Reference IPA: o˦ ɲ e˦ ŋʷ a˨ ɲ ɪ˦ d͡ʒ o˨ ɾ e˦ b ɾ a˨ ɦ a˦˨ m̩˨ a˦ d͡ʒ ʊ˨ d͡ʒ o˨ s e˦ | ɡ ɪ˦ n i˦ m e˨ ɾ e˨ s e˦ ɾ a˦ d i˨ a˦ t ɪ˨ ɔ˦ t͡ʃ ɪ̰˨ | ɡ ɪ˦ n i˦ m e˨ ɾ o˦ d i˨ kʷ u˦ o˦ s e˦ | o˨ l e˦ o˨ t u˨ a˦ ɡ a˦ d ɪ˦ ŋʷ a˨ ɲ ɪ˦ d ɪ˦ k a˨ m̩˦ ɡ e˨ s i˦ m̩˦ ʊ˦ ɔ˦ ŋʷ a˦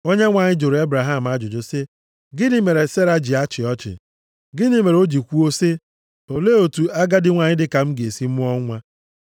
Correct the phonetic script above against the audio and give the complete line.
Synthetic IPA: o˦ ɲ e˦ ŋʷ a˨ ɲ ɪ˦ d͡ʒ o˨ ɾ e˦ b ɾ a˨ ɦ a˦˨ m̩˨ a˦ d͡ʒ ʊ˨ d͡ʒ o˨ s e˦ | ɡ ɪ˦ n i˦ m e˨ ɾ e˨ s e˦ ɾ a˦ d͡ʒ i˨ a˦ t͡ʃ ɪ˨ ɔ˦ t͡ʃ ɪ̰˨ | ɡ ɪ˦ n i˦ m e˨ ɾ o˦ d͡ʒ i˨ kʷ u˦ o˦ s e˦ | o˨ l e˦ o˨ t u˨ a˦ ɡ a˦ d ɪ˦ ŋʷ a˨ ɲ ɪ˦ d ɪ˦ k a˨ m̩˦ ɡ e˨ s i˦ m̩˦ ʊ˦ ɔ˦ ŋʷ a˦